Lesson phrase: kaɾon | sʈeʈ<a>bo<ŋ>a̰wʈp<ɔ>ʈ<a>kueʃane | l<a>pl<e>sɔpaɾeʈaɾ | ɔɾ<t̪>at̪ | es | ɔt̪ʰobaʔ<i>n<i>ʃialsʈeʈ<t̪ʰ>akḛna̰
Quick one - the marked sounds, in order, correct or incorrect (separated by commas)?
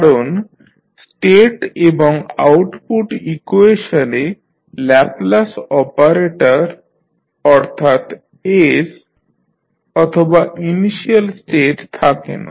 incorrect, correct, incorrect, incorrect, incorrect, incorrect, incorrect, correct, correct, correct